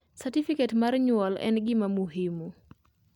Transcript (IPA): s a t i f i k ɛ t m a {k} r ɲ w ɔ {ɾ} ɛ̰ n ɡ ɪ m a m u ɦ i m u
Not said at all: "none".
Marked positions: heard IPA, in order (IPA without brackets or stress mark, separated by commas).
none, l